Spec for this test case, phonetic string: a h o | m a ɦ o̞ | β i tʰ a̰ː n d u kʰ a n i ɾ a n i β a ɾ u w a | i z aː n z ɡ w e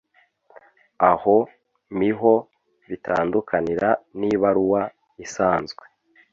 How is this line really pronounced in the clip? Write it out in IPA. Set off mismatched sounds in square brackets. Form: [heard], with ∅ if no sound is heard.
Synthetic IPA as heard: a h o | m [i] ɦ o̞ | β i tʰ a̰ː n d u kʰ a n i ɾ a n i β a ɾ u w a | i [s] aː n z ɡ w e